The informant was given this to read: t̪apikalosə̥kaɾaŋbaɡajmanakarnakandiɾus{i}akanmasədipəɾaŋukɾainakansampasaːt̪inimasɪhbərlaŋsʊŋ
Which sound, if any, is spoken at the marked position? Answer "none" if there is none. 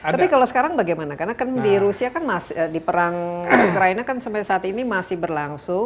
i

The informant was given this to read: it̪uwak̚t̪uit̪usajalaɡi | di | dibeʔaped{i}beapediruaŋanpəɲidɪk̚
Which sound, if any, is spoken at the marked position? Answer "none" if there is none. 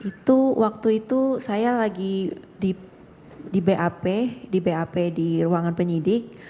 i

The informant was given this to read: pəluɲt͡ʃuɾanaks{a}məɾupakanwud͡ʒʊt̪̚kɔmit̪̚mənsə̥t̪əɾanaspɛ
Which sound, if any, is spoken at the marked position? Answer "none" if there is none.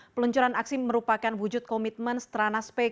i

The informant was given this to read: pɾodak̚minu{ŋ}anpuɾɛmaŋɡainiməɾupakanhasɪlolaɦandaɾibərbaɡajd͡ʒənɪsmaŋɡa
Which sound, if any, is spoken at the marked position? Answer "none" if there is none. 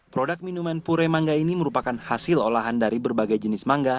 m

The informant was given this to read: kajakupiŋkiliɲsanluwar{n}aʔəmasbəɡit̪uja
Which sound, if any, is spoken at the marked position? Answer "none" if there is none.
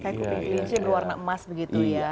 n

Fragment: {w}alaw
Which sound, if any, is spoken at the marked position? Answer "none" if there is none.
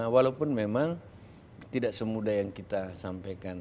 w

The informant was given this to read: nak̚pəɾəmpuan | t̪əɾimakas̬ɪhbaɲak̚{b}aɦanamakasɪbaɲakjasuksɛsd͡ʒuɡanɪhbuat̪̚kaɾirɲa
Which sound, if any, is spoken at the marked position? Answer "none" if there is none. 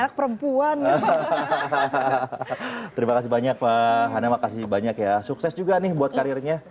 p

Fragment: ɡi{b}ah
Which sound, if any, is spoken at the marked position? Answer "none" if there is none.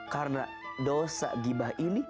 b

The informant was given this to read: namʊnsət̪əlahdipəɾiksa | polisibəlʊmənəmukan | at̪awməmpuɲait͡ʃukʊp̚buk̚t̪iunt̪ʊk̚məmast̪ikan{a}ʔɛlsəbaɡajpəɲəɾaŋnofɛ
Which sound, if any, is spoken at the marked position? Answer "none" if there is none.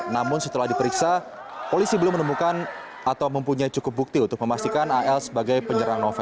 a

